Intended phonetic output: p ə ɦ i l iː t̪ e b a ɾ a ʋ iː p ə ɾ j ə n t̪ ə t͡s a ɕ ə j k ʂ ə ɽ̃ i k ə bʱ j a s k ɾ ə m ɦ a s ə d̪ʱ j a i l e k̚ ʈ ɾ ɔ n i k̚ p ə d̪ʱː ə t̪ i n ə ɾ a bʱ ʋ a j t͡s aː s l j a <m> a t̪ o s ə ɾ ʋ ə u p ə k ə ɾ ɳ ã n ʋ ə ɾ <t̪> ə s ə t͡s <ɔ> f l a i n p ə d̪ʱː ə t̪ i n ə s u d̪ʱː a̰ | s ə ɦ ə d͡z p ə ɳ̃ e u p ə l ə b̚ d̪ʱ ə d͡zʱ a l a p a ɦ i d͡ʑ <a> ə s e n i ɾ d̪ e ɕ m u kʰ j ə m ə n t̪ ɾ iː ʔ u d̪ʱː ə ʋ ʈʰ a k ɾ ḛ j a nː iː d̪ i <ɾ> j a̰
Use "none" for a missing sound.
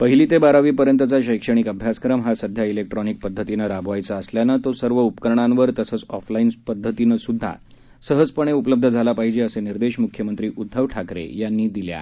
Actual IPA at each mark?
n, t̪, ɔ, e, l

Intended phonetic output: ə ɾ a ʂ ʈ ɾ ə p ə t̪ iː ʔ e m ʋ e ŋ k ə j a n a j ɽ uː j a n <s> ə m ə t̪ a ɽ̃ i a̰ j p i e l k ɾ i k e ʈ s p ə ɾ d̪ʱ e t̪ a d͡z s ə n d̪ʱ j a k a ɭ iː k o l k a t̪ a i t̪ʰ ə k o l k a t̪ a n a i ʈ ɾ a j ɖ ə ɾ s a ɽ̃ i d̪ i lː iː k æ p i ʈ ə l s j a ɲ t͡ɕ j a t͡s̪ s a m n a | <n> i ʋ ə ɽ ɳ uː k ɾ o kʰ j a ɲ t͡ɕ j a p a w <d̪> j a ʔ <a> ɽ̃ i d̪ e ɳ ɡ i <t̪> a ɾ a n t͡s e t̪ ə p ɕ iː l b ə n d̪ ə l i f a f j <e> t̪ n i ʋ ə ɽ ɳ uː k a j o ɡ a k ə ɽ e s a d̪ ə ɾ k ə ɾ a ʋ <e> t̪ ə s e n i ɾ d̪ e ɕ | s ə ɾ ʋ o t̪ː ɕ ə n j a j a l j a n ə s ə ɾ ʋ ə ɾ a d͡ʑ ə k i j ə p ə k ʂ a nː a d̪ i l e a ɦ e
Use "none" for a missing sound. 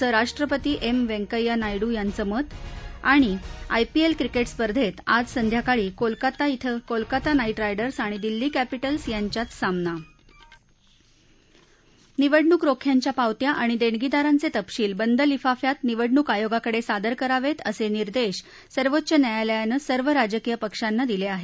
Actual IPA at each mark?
t͡s, n, t̪, a, d̪, a, e

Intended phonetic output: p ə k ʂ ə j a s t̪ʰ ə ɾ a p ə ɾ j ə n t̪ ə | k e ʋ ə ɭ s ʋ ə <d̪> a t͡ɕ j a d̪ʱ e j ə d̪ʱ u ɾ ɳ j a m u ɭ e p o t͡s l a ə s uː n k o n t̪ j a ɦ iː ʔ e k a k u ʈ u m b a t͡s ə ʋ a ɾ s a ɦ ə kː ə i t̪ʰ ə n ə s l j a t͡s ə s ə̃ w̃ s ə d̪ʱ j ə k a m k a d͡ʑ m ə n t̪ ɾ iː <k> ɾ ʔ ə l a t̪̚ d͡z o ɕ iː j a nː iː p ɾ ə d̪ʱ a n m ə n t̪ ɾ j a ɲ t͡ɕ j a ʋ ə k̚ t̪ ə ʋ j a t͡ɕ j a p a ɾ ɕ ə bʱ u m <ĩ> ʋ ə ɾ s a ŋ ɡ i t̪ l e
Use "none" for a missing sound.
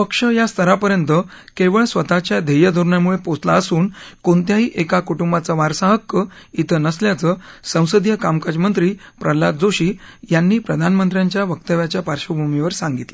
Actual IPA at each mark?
t̪, p, i

